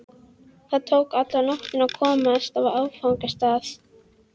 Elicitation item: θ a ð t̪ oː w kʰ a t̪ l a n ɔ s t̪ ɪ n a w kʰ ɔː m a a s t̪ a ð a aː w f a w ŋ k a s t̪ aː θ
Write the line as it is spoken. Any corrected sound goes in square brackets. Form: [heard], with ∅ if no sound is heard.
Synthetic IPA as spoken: θ a ð [t̪ʰ] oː w [k] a t̪ l a n ɔ [h] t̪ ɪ n a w kʰ ɔː m a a s t̪ a [v] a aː w f a w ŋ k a s t̪ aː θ